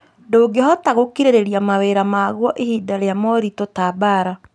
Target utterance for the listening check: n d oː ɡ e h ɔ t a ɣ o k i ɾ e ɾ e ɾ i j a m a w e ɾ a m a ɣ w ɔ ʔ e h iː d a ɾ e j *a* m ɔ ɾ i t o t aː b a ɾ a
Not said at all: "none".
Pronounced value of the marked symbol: a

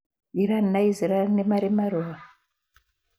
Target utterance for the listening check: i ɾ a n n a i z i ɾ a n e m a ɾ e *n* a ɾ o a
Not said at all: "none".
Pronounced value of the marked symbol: m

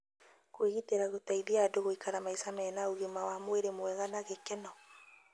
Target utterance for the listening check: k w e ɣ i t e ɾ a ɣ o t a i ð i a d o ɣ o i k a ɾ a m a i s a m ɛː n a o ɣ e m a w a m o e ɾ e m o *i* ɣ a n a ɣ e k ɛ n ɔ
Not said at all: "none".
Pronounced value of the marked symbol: ɛ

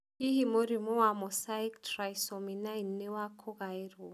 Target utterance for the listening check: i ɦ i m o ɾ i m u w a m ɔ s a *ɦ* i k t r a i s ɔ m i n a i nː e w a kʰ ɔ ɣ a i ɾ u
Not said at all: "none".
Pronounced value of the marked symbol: none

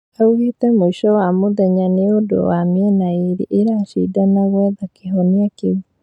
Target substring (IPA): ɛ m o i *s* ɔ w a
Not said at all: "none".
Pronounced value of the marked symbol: ʃ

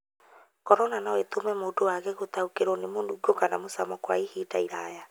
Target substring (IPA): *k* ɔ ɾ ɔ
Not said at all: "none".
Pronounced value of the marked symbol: k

